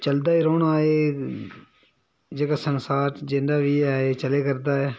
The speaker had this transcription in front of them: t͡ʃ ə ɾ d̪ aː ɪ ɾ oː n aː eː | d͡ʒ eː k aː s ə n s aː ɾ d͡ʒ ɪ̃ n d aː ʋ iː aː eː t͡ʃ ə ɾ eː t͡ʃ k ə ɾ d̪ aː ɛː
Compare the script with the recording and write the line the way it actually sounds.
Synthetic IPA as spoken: t͡ʃ ə l d̪ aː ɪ ɾ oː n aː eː | d͡ʒ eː k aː s ə n s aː ɾ d͡ʒ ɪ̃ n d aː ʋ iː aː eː t͡ʃ ə l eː k ə ɾ d̪ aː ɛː